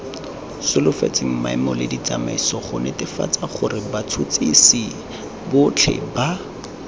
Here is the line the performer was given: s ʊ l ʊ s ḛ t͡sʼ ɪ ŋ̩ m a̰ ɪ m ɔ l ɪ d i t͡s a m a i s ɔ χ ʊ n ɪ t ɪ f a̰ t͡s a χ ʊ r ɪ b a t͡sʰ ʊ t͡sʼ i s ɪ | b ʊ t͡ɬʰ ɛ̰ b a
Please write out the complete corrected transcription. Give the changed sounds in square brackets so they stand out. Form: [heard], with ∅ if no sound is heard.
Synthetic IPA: s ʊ l ʊ [f] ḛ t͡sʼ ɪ ŋ̩ m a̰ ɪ m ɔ l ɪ d i t͡s a m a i s ɔ χ ʊ n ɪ t ɪ f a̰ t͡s a χ ʊ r ɪ b a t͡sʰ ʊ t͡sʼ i s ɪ | b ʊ t͡ɬʰ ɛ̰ b a